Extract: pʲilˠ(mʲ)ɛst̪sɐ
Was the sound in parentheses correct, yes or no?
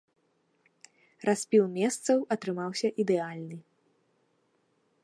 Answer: yes